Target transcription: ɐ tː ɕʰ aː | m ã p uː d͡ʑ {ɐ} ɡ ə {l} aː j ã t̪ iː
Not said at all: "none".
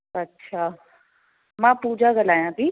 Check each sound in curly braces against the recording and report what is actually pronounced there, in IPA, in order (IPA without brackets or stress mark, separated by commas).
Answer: a, l